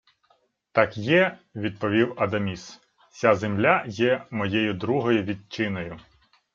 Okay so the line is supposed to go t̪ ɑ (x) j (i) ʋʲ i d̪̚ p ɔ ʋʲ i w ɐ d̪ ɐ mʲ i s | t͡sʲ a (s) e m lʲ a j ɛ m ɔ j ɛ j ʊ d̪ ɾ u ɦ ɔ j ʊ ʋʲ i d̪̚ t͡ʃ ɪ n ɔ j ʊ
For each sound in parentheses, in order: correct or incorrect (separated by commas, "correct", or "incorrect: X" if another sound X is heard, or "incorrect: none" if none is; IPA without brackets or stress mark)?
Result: incorrect: k, incorrect: ɛ, incorrect: z